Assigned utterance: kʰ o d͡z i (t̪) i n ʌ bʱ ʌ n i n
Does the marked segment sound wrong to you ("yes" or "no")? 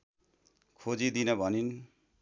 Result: yes